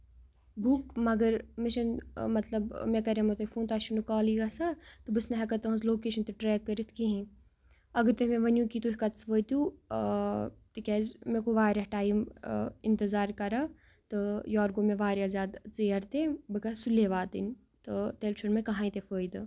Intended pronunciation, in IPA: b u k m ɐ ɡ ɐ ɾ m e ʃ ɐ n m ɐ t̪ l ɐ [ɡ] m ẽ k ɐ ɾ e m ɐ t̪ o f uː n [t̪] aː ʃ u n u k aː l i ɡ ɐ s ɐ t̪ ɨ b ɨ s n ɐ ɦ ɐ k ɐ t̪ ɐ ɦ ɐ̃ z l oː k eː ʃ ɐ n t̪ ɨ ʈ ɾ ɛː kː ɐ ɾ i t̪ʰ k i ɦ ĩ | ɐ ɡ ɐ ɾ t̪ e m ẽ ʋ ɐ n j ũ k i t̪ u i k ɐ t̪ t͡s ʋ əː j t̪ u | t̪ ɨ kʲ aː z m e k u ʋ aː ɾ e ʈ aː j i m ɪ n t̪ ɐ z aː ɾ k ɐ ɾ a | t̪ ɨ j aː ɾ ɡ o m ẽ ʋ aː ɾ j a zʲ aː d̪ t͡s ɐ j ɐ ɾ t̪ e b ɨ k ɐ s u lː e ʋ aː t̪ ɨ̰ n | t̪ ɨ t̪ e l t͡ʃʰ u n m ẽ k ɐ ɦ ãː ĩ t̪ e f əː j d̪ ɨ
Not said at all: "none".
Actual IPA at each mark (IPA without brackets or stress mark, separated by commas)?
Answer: b, t̪